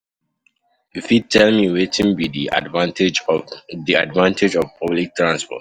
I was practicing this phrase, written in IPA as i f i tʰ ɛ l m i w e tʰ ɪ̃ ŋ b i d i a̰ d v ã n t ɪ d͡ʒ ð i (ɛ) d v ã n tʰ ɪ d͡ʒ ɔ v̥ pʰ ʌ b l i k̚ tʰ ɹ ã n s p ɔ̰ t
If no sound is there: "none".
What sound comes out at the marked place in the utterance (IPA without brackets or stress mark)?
a